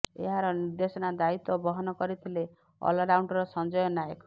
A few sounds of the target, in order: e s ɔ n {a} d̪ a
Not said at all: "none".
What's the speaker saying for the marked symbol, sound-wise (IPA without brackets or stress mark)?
a